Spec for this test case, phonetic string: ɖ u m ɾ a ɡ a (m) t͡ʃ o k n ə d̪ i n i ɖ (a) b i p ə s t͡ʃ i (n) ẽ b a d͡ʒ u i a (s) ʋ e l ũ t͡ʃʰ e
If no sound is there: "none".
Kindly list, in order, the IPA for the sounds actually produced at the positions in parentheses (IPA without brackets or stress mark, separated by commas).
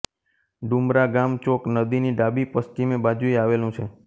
m, a, m, none